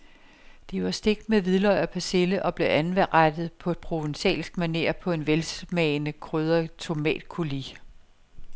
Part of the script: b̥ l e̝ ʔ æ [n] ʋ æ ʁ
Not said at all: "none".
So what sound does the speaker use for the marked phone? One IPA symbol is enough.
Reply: n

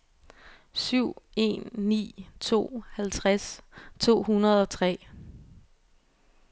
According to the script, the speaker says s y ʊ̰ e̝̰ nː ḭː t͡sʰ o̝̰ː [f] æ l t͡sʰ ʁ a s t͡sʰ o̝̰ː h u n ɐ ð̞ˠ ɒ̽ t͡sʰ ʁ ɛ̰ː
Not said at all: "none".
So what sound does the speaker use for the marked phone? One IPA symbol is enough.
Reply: h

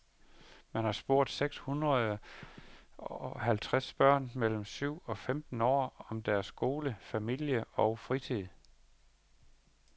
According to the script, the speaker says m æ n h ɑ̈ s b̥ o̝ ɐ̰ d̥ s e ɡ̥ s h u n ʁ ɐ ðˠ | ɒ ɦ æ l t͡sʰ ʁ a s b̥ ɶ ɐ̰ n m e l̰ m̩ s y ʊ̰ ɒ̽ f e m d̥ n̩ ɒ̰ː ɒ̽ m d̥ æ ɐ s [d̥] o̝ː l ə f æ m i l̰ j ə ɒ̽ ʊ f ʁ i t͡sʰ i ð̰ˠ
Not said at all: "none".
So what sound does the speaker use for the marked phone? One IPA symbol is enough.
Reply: ɡ̥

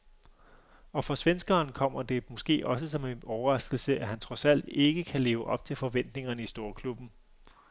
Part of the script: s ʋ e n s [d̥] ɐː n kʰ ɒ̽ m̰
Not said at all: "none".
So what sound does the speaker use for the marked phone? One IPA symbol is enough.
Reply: ɡ̥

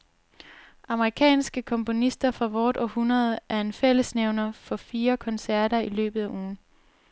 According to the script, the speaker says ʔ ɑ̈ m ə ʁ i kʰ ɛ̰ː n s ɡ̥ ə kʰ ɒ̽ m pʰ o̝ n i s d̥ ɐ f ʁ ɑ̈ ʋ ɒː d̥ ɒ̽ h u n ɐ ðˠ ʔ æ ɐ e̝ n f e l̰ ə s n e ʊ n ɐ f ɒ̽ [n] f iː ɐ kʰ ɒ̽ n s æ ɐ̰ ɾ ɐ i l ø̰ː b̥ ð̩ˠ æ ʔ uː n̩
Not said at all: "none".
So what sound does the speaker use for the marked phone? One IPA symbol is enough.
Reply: none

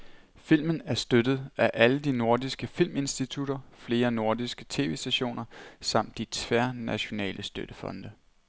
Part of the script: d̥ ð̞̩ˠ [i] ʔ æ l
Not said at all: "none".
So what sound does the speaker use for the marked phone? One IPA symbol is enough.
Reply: æ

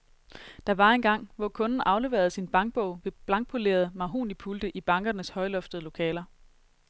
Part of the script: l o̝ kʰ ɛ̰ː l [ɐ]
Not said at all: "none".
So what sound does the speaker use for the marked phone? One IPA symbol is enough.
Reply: ɐ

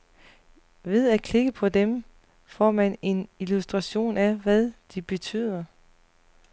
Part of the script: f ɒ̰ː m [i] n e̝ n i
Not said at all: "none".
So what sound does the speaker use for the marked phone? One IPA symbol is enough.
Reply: æ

